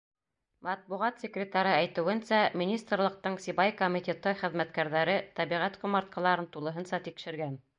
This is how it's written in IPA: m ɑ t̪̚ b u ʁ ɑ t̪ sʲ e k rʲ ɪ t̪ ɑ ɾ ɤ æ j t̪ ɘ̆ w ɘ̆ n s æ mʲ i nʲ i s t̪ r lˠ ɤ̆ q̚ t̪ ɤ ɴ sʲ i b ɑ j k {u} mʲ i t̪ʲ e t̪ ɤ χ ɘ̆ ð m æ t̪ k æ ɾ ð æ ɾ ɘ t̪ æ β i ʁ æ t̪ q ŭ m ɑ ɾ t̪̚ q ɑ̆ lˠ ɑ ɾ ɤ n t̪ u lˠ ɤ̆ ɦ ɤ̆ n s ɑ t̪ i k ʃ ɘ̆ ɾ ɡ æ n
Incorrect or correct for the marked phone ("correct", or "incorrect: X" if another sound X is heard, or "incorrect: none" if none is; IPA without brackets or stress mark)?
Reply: incorrect: o